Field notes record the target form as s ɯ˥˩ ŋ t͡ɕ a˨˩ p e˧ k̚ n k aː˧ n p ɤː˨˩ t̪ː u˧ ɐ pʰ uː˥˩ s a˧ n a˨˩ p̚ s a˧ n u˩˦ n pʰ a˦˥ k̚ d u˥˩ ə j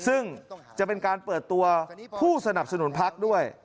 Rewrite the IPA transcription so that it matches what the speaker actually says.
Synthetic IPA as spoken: s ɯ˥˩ ŋ t͡ɕ a˨˩ p e˧ n k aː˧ n p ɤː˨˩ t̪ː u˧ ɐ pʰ uː˥˩ s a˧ n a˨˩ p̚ s a˧ n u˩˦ n pʰ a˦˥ k̚ d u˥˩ ə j